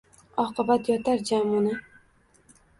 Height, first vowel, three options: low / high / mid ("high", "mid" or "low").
low